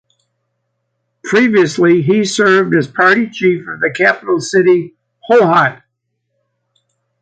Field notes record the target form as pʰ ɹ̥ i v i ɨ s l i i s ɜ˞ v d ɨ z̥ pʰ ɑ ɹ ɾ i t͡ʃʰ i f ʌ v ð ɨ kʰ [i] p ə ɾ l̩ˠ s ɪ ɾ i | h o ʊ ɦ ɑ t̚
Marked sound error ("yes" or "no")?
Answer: yes